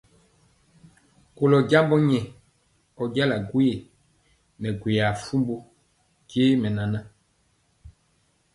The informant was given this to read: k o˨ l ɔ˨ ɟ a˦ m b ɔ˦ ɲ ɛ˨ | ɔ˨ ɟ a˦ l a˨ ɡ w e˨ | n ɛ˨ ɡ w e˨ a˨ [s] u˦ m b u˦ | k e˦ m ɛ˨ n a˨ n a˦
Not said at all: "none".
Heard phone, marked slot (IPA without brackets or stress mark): f